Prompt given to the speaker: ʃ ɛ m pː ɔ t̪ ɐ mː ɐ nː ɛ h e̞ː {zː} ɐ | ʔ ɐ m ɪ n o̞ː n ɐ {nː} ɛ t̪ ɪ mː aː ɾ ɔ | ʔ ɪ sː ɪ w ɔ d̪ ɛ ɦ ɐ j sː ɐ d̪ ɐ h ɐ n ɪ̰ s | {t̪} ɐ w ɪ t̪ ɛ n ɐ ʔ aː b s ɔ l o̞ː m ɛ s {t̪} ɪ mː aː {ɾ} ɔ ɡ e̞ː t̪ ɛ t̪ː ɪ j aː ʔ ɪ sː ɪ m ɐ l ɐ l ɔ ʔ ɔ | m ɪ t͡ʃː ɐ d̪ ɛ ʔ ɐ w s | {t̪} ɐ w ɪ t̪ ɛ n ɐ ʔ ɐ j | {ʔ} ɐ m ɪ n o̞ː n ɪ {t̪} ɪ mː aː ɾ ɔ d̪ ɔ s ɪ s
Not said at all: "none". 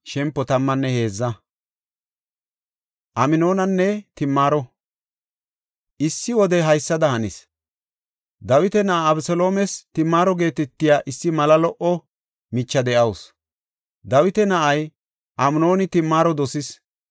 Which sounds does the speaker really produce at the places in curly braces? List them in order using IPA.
zː, nː, d̪, t̪, ɾ, d̪, ʔ, t̪

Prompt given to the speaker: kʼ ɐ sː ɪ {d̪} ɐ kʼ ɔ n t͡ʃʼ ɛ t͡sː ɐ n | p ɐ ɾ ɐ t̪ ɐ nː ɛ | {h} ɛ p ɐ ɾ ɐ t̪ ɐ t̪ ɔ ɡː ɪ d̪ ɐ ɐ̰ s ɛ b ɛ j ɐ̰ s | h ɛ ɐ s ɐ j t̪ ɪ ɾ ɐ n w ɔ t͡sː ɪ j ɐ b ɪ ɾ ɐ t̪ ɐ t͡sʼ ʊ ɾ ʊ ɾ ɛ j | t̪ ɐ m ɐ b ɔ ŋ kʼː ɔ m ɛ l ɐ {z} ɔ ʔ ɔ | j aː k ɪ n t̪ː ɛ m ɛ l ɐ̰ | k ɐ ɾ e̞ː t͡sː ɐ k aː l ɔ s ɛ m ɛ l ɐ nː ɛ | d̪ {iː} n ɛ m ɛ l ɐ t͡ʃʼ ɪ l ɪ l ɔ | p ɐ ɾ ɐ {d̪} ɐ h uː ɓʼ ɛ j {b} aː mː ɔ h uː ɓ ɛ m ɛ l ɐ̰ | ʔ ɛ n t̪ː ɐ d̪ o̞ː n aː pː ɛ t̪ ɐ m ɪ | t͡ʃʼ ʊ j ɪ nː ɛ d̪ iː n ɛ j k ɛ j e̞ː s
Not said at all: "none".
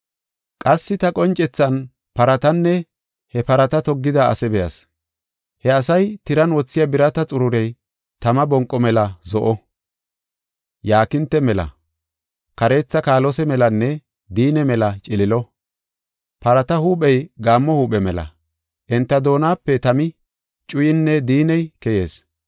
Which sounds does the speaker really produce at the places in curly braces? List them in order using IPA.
t̪, h, z, iː, t̪, ɡ

